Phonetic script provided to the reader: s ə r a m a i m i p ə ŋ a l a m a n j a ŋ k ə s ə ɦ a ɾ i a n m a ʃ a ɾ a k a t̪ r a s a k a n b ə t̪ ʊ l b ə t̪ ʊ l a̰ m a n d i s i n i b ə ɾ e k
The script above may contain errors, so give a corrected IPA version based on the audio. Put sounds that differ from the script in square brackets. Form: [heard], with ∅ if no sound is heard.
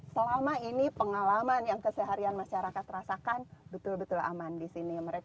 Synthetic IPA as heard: s ə [l] a m a i [n] i p ə ŋ a l a m a n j a ŋ k ə s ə ɦ a ɾ i a n m a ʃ a ɾ a k a t̪ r a s a k a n b ə t̪ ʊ l b ə t̪ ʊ l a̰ m a n d i s i n i [m] ə ɾ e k